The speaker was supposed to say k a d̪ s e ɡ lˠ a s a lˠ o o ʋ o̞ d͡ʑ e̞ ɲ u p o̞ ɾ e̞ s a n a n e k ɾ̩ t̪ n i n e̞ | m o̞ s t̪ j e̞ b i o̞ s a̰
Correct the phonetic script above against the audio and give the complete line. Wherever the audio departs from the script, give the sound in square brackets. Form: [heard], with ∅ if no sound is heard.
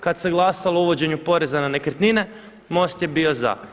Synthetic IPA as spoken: k a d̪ s e ɡ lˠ a s a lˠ o [u] ʋ o̞ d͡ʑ e̞ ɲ u p o̞ ɾ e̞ [z] a n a n e k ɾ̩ t̪ n i n e̞ | m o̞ s t̪ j e̞ b i o̞ [z] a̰

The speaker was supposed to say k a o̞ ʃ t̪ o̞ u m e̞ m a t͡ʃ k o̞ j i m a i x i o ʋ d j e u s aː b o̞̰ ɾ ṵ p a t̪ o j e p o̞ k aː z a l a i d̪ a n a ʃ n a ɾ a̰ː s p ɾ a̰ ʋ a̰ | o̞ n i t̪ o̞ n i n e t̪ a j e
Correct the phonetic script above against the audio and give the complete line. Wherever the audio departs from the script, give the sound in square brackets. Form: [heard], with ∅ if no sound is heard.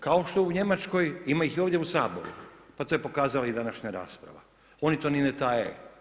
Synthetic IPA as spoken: k a o̞ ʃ t̪ o̞ u [ɲ] e̞ m a t͡ʃ k o̞ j i m a i x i o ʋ d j e u s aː b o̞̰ ɾ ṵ p a t̪ o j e p o̞ k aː z a l a i d̪ a n a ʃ [ɲ] a ɾ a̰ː s p ɾ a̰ ʋ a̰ | o̞ n i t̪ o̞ n i n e t̪ a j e

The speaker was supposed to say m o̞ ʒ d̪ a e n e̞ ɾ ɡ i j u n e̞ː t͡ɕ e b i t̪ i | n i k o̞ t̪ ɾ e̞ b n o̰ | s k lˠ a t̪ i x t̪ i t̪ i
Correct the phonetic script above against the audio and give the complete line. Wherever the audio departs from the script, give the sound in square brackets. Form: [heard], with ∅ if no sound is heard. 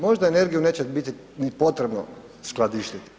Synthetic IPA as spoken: m o̞ ʒ d̪ a e n e̞ ɾ ɡ i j u n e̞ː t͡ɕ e b i t̪ i | n i [p] o̞ t̪ ɾ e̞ b n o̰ | s k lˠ a [d̪] i [ʃ] t̪ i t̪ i

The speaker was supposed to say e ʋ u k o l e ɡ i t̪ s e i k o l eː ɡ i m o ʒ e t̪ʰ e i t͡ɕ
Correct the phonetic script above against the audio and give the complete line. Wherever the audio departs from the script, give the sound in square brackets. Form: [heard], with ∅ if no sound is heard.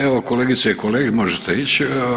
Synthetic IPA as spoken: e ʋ [o] k o l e ɡ i t̪ s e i k o l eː ɡ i m o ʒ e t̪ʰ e i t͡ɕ

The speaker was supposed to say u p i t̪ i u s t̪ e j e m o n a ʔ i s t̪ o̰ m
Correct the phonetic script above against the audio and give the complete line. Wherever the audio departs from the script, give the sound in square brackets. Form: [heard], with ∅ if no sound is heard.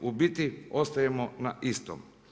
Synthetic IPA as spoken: u [b] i t̪ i [o] s t̪ [a] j e m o n a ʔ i s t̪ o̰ m

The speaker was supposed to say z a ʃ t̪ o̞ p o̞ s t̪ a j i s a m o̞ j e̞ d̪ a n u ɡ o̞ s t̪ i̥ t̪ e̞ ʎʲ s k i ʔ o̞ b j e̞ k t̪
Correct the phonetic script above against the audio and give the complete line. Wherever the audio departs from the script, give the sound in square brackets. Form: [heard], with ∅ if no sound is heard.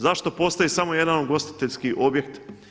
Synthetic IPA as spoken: z a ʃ t̪ o̞ p o̞ s t̪ a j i s a m o̞ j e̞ d̪ a n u ɡ o̞ s t̪ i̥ t̪ e̞ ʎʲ s k i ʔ o̞ b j e̞ k t̪

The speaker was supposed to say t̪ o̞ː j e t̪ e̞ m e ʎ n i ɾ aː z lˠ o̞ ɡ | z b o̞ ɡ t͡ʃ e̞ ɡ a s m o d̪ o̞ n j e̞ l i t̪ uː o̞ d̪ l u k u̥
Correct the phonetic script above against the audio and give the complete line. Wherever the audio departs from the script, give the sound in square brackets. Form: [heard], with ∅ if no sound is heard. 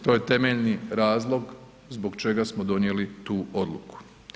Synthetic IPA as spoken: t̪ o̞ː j e t̪ e̞ m e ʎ n i ɾ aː z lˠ o̞ ɡ | z b o̞ ɡ t͡ʃ e̞ ɡ a s m o d̪ o̞ n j e̞ l i t̪ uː o̞ d̪ l u k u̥

